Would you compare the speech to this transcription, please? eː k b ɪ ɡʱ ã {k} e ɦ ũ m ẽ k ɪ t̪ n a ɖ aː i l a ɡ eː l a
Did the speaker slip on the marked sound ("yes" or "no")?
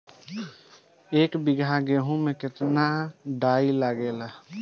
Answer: yes